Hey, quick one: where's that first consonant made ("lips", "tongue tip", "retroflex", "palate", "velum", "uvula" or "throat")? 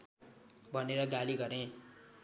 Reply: lips